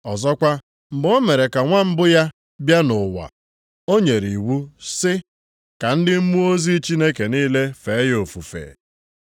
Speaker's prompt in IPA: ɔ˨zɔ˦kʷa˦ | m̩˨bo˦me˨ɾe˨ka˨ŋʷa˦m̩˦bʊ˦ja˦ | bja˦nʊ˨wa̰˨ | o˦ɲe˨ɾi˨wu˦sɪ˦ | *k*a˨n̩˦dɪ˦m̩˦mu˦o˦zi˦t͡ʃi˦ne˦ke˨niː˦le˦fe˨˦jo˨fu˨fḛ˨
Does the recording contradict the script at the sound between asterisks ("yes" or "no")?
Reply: no